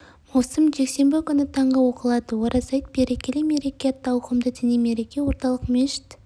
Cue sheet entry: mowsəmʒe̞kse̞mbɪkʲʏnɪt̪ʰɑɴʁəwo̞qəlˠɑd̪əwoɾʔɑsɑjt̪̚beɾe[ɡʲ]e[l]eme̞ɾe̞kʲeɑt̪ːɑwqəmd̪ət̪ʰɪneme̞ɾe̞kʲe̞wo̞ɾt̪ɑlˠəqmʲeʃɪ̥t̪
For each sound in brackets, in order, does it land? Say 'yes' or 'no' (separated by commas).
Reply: no, yes